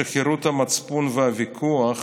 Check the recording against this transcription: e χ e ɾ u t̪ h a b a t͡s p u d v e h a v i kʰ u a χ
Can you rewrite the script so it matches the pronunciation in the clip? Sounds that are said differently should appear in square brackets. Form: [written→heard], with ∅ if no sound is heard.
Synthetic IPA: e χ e ɾ u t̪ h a [b→m] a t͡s p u [d→n] v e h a v i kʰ u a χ